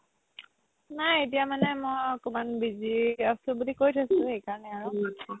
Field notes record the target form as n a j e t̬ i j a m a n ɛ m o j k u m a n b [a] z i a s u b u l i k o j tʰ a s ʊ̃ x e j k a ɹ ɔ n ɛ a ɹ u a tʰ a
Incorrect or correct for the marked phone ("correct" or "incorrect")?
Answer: incorrect